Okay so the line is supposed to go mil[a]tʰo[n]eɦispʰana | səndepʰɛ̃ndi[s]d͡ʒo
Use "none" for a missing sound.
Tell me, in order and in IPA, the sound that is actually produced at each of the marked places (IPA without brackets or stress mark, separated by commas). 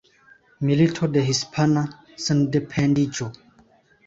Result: i, d, none